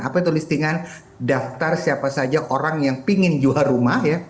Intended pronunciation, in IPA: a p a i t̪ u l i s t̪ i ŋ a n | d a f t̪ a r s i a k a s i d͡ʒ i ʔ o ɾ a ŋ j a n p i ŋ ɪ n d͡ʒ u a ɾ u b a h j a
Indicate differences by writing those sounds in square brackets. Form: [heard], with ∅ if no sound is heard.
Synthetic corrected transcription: a p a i t̪ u l i s t̪ i ŋ a n | d a f t̪ a r s i a [p] a s [a] d͡ʒ [a] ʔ o ɾ a ŋ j a [ŋ] p i ŋ ɪ n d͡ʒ u a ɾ u [m] a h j a